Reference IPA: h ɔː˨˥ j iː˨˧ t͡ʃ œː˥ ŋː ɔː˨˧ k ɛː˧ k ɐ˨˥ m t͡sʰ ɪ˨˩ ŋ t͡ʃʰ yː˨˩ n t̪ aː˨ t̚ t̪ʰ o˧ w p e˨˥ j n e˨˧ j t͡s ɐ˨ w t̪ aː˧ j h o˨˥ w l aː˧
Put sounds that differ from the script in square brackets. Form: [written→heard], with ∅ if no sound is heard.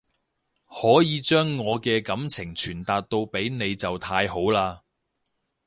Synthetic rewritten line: h ɔː˨˥ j iː˨˧ t͡ʃ œː˥ ŋː ɔː˨˧ k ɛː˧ k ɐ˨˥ m t͡sʰ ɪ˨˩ ŋ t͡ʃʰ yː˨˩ n t̪ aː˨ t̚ [t̪ʰ→t̪] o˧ w p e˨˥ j n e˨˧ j t͡s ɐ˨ w [t̪→t̪ʰ] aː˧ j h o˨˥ w l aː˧